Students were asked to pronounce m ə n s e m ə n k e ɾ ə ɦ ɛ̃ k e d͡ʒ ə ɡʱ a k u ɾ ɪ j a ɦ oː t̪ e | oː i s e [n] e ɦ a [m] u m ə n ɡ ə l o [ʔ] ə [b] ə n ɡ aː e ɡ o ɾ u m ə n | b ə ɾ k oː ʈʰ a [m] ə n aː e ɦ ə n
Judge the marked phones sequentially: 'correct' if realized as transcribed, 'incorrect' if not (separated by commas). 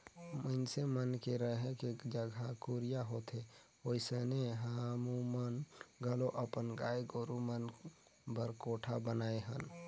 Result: correct, correct, correct, incorrect, incorrect